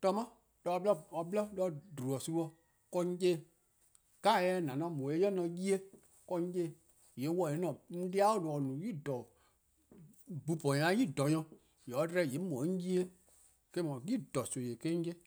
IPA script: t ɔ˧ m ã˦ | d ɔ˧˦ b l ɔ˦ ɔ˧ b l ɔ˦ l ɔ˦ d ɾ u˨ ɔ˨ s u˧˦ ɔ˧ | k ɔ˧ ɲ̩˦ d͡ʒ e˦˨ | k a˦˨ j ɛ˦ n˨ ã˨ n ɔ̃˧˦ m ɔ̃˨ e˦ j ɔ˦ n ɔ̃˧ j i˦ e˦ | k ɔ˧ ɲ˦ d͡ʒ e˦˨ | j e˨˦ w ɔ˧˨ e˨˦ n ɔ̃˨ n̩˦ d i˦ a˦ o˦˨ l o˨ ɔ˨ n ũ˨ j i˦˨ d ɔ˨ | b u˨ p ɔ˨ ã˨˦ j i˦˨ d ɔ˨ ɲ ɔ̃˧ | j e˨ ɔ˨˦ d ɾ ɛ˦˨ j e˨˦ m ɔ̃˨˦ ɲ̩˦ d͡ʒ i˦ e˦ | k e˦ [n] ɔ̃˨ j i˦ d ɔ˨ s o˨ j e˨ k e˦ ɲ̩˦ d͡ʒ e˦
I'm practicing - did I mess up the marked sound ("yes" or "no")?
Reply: yes